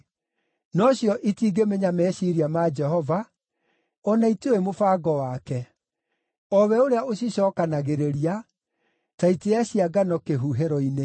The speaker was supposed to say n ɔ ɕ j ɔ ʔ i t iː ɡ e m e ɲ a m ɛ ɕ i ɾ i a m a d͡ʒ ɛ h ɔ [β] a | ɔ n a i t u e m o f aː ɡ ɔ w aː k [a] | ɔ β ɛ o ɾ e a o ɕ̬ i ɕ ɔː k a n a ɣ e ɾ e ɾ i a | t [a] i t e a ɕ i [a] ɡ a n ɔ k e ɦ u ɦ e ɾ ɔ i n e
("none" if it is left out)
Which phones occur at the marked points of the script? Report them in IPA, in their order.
v, ɛ, a, a

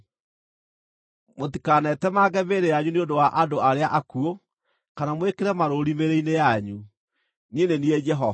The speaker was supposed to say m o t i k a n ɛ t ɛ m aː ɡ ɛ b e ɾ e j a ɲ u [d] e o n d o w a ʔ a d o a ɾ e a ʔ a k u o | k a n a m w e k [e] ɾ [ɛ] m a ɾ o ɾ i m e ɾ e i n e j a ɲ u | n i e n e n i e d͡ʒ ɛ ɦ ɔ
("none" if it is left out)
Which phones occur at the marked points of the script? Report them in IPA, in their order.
n, e, ɛ

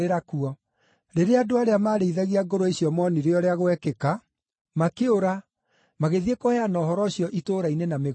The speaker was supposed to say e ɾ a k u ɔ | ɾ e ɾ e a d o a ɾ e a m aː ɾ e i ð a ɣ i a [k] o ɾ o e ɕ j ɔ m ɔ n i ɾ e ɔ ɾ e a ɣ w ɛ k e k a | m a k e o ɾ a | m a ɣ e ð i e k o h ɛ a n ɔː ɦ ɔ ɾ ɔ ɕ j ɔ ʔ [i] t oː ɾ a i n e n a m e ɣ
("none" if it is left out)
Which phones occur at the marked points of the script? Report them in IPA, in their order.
ɡ, i

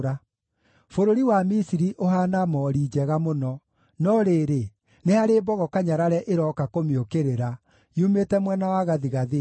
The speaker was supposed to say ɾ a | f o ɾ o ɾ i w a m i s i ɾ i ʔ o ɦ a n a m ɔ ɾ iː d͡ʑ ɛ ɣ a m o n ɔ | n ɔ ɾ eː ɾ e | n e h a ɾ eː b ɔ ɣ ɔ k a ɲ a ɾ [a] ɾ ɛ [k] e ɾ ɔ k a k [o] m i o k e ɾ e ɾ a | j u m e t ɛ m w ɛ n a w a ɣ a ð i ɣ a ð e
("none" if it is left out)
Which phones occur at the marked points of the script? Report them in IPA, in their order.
a, ʔ, o

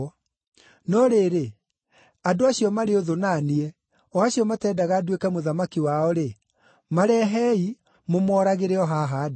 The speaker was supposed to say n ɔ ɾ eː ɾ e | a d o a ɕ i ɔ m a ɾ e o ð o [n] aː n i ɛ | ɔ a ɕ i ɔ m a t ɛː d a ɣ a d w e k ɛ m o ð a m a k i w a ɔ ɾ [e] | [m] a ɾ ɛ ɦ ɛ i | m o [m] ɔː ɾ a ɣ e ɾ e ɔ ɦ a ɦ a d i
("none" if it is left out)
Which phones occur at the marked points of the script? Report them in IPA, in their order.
n, e, m, m

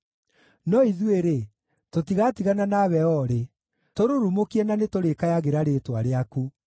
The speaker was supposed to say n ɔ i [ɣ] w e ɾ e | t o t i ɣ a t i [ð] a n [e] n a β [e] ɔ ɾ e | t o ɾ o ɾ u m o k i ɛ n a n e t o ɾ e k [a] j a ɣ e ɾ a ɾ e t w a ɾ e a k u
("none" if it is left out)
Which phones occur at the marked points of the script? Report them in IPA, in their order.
ð, ɣ, a, ɛ, a

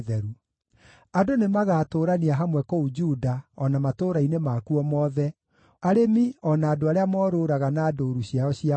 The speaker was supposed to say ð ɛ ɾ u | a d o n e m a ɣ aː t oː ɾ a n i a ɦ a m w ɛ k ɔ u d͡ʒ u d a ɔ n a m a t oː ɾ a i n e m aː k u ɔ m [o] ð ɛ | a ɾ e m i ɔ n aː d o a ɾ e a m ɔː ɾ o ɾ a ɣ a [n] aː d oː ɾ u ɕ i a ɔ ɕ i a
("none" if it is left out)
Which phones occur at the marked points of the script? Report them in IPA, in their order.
ɔ, n

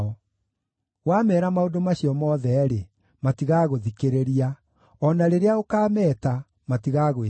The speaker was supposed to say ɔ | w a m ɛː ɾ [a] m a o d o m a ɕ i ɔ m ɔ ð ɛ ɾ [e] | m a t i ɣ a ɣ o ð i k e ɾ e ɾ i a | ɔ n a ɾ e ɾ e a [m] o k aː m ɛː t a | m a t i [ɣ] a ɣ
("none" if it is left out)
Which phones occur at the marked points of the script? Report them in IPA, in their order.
a, e, none, ɣ

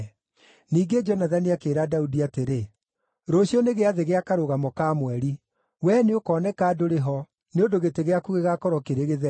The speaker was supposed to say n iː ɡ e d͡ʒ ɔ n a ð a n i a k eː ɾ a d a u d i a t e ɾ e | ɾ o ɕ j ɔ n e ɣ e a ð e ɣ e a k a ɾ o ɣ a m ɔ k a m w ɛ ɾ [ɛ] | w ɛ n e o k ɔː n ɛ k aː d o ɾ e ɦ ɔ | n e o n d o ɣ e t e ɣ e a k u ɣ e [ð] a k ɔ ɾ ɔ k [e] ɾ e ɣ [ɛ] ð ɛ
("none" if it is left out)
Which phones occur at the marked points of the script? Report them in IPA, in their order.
i, ɣ, e, e

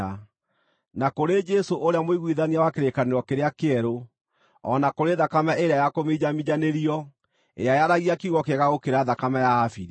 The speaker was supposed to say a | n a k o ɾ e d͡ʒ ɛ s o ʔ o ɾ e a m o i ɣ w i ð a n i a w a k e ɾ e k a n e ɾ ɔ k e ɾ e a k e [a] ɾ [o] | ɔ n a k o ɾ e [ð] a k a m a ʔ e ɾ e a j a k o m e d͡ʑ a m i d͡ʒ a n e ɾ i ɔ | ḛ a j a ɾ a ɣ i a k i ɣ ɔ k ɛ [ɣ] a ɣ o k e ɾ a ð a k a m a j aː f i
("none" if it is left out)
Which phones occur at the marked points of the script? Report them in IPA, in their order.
ɛ, o, ð, ɣ

